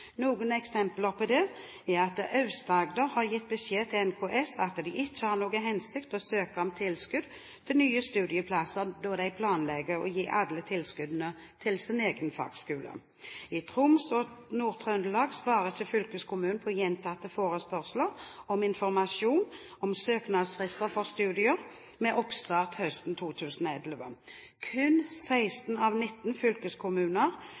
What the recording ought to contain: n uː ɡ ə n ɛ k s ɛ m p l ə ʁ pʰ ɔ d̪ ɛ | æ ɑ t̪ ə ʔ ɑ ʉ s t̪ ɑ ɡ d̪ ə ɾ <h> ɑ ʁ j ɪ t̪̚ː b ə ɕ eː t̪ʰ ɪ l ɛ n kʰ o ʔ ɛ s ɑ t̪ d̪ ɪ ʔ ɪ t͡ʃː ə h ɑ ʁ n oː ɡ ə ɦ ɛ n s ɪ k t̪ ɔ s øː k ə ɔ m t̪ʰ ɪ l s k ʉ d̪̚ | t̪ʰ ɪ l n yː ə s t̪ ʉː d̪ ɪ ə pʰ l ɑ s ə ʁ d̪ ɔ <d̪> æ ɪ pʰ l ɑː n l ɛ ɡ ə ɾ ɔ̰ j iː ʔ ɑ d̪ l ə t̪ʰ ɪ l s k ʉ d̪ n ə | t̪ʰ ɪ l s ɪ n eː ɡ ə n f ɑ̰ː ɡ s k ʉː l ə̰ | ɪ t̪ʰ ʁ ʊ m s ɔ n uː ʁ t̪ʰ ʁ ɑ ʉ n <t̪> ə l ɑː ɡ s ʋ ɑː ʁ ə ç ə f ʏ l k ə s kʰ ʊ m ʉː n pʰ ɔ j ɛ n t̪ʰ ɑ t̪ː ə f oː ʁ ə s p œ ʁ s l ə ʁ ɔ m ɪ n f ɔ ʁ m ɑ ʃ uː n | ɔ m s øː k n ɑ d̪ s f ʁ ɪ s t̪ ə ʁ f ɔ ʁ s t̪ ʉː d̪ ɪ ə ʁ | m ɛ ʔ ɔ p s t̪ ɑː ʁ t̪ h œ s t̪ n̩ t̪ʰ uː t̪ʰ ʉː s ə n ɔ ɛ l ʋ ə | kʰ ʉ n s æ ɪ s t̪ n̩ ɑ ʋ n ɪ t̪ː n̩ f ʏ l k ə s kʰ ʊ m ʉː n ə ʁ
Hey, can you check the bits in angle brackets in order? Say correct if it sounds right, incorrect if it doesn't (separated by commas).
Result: correct, correct, incorrect